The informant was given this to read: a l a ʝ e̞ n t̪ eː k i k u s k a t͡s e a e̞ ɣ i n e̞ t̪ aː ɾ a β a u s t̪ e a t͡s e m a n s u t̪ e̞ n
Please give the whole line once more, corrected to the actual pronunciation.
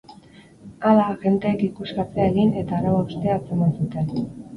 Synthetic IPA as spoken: a l a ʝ e̞ n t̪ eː k i k u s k a t͡s e a e̞ ɣ i n e̞ t̪ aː ɾ a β a u s t̪ e a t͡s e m a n s u t̪ e̞ n